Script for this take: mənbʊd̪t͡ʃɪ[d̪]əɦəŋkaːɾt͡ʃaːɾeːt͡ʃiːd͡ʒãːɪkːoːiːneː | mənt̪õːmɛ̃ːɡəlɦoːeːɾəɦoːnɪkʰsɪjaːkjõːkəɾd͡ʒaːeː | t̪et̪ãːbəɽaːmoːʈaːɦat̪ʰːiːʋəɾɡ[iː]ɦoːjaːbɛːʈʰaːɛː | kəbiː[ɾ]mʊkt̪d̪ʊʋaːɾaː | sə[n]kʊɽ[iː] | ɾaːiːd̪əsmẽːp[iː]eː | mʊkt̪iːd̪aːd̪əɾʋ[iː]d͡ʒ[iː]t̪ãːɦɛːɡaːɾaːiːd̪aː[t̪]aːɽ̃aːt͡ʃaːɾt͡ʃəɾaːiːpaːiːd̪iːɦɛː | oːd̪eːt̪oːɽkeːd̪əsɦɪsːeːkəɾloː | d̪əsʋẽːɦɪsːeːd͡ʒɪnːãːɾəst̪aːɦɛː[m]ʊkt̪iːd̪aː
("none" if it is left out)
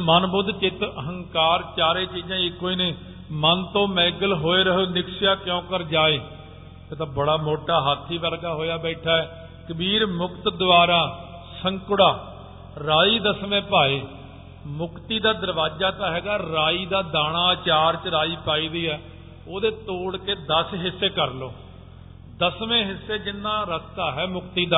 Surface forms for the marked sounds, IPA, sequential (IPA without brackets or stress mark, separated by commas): t̪, aː, ɾ, ŋ, aː, aː, aː, aː, d̪, m